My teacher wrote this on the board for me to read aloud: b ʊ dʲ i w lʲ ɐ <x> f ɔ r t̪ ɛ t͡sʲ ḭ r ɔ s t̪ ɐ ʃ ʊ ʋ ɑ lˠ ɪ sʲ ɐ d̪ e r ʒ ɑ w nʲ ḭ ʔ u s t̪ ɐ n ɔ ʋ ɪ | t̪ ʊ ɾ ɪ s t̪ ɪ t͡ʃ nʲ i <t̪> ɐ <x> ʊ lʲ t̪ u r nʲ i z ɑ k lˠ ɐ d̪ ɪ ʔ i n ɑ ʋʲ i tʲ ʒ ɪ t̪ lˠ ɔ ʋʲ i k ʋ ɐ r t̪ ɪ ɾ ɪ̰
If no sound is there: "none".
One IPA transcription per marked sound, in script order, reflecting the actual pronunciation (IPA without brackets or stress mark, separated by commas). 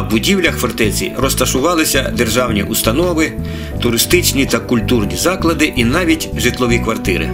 x, t̪, k